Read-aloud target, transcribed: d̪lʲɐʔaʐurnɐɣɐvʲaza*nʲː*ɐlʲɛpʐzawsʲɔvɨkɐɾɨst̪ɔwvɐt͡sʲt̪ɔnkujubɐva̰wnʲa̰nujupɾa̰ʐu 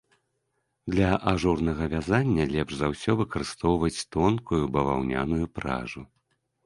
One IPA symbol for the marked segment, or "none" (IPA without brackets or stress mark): nʲː